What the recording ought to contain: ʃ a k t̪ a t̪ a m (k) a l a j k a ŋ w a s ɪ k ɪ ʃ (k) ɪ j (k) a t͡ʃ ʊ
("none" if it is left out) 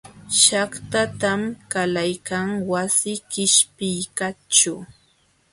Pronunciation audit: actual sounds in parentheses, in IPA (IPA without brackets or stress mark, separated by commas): k, p, k